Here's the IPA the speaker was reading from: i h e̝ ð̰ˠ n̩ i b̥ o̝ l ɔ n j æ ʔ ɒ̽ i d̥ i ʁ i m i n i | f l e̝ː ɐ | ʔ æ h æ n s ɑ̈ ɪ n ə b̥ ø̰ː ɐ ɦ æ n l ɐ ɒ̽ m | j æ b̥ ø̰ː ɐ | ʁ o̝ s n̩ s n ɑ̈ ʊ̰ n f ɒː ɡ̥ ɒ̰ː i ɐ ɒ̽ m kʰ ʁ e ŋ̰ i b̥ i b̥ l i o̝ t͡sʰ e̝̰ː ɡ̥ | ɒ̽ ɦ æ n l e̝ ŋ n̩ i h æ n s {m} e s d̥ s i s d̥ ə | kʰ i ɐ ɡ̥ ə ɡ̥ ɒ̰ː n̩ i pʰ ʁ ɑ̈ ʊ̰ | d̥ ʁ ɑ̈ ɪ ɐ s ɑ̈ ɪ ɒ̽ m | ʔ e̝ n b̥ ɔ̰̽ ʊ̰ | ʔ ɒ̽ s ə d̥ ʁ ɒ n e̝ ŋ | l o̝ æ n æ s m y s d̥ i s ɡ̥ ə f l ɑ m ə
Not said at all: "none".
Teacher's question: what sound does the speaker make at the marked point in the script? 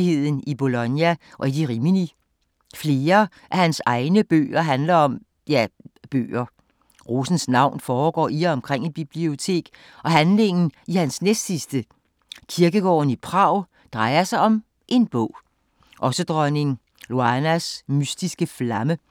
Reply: n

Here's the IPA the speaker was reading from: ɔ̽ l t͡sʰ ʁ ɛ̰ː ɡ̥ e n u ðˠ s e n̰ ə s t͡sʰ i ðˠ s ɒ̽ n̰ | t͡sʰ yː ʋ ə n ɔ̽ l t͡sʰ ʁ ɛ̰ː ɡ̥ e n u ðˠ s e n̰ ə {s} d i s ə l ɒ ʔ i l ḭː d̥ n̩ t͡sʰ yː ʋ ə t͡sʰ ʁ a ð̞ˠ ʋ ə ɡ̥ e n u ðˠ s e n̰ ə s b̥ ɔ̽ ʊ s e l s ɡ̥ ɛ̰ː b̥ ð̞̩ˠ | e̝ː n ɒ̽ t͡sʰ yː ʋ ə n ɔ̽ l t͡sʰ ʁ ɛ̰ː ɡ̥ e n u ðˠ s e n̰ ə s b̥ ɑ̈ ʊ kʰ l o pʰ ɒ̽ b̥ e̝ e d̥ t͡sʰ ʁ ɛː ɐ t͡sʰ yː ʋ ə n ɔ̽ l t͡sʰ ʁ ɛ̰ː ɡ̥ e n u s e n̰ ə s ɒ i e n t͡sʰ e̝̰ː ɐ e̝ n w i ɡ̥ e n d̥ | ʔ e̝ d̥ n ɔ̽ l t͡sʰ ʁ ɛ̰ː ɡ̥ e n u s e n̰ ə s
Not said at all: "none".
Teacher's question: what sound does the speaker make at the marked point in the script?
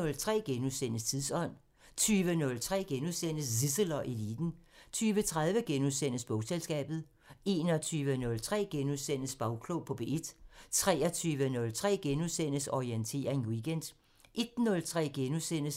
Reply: s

